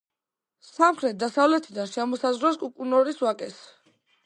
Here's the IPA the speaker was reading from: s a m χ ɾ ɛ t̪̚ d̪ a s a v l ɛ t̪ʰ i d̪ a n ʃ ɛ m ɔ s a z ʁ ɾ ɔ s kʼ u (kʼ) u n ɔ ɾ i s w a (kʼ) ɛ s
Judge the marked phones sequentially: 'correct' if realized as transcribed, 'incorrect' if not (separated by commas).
correct, correct